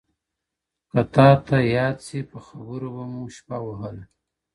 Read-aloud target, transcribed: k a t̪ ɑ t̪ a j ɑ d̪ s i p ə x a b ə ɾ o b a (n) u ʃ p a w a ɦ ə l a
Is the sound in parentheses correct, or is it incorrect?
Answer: incorrect: m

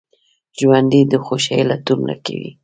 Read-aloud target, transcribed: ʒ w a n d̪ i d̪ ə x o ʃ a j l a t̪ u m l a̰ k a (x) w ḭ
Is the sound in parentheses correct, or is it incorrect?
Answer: incorrect: none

